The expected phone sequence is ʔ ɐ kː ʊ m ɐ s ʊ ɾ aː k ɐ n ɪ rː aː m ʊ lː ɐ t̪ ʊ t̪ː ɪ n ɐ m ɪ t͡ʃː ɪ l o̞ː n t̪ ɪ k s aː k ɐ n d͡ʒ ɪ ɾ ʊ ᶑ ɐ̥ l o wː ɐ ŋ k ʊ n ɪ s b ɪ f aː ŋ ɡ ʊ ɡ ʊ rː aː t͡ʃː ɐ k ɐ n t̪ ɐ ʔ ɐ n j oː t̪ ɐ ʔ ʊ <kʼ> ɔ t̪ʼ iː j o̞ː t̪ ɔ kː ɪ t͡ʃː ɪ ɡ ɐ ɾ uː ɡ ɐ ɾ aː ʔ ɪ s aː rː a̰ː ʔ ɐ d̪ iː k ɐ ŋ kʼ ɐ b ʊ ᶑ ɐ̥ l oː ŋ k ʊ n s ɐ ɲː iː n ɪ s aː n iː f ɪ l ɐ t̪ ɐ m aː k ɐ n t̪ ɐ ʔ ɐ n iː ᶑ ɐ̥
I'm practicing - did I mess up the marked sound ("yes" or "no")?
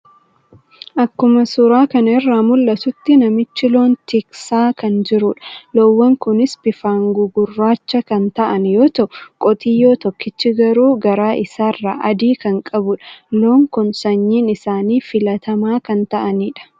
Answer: no